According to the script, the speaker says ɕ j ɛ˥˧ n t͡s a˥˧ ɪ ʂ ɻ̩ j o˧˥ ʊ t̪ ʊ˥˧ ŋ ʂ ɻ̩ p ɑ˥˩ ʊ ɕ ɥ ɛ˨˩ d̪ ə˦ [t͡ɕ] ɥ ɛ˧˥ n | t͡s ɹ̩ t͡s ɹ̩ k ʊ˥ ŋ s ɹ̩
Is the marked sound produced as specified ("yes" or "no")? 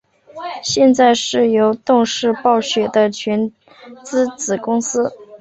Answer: no